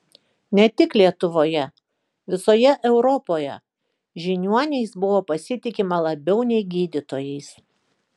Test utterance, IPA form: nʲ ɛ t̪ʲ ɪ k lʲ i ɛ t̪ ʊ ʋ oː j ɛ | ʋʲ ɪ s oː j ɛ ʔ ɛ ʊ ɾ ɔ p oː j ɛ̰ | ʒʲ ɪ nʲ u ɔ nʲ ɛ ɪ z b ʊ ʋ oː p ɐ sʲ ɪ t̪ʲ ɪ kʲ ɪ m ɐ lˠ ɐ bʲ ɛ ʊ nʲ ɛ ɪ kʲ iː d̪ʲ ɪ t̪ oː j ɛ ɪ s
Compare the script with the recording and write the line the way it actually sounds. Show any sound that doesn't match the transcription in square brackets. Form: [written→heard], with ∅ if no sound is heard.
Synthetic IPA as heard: nʲ ɛ t̪ʲ ɪ k lʲ i ɛ t̪ ʊ ʋ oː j ɛ | ʋʲ ɪ s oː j ɛ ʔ ɛ ʊ ɾ ɔ p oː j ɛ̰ | ʒʲ ɪ nʲ u ɔ nʲ ɛ ɪ [z→s] b ʊ ʋ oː p ɐ sʲ ɪ t̪ʲ ɪ kʲ ɪ m ɐ lˠ ɐ bʲ ɛ ʊ nʲ ɛ ɪ [kʲ→ɡʲ] iː d̪ʲ ɪ t̪ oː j ɛ ɪ s